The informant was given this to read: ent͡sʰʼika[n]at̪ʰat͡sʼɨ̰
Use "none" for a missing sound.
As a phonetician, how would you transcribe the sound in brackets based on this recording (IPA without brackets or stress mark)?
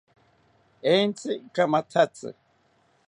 m